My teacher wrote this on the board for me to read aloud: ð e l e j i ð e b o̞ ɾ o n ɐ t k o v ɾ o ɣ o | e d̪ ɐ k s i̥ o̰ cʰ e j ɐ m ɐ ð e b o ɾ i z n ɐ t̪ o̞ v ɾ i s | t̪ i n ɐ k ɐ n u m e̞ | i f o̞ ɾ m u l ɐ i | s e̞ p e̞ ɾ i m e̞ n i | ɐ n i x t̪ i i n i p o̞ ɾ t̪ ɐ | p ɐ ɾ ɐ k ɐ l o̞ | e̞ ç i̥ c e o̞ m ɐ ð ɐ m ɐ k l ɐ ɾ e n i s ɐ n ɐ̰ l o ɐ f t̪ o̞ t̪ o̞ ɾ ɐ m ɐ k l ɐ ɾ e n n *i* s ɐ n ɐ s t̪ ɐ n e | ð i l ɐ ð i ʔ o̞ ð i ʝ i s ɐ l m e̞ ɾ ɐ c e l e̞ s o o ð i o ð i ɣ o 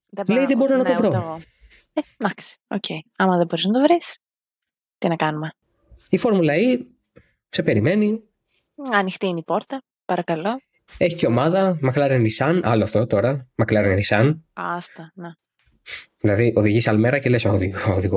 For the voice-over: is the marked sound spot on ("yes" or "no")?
yes